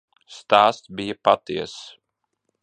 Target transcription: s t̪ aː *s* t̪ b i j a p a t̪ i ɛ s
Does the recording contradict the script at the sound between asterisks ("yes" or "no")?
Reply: no